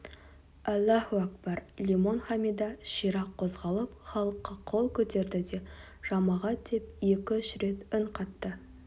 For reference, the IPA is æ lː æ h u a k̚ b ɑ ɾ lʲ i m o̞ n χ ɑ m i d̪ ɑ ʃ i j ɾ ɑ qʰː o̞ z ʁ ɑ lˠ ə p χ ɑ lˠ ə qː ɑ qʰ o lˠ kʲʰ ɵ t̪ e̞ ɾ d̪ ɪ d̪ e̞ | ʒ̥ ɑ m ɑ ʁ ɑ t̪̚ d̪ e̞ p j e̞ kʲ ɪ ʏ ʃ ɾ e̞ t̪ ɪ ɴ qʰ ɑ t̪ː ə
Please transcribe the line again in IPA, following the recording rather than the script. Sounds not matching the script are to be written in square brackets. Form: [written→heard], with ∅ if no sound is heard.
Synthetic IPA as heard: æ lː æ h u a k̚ b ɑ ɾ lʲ i m o̞ n χ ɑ m i d̪ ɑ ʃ i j ɾ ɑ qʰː o̞ z ʁ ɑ lˠ ə p χ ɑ lˠ ə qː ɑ qʰ o lˠ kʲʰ ɵ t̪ e̞ ɾ d̪ ɪ d̪ e̞ | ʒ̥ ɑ m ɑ ʁ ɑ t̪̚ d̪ e̞ p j e̞ kʲ ɪ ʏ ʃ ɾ e̞ t̪ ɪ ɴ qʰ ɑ t̪ː ə